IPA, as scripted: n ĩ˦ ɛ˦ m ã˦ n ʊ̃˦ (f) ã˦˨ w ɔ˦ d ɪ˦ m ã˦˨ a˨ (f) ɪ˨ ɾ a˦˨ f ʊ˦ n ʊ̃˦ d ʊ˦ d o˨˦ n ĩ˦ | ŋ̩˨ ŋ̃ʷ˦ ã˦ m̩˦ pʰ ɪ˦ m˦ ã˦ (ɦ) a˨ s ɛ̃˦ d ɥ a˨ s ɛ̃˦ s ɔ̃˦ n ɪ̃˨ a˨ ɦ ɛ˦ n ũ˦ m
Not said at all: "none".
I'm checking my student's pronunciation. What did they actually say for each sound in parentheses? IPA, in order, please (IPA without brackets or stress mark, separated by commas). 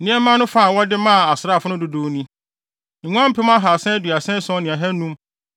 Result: f, s, ɦ